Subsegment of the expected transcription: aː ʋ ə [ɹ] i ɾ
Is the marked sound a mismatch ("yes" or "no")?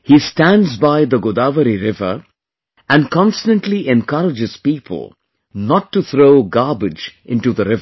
yes